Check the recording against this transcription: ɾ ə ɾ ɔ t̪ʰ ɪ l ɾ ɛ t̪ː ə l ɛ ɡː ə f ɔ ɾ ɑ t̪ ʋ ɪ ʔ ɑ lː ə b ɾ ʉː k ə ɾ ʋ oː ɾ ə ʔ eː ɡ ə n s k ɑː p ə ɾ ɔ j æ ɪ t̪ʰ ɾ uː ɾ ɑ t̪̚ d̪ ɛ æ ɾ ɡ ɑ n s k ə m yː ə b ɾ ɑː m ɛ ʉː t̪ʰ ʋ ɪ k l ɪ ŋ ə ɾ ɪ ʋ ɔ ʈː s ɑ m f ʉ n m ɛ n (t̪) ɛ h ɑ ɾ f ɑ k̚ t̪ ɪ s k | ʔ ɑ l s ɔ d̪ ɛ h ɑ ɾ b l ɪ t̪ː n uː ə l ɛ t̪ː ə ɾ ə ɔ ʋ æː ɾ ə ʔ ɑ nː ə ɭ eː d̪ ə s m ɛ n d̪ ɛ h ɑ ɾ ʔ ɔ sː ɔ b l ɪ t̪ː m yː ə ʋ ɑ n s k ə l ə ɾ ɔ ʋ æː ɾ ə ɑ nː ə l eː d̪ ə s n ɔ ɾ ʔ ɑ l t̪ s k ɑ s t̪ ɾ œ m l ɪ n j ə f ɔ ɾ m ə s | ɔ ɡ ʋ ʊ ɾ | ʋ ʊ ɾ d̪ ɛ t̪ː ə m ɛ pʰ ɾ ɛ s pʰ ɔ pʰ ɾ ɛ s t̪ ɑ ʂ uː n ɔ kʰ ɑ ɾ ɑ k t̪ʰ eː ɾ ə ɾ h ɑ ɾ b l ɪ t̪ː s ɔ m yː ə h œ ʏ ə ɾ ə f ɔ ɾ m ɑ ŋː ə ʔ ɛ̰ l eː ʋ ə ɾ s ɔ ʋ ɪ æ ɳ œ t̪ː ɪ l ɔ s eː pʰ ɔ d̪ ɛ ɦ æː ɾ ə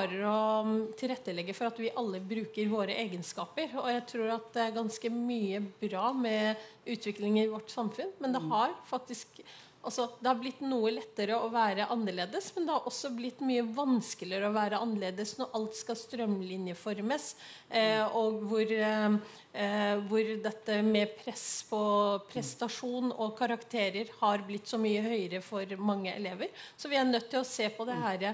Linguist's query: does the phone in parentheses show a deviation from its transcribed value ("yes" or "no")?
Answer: yes